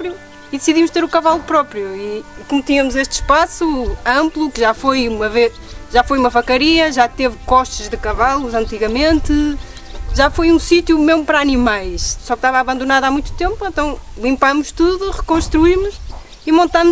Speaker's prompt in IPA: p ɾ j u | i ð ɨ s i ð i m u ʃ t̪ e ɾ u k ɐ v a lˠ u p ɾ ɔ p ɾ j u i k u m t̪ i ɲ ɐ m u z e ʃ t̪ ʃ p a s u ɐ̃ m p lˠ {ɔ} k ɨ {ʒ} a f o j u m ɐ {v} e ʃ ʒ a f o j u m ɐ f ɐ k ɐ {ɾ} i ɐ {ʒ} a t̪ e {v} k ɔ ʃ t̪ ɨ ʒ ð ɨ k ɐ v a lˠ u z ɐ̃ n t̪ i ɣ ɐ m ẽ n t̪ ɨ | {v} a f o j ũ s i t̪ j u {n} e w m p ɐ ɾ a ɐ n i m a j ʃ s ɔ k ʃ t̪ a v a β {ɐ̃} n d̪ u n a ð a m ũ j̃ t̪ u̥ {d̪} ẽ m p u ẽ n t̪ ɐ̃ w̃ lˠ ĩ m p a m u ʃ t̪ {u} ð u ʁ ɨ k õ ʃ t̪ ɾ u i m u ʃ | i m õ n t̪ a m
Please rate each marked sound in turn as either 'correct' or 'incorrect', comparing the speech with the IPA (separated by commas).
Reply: incorrect, correct, correct, correct, correct, correct, incorrect, incorrect, correct, incorrect, correct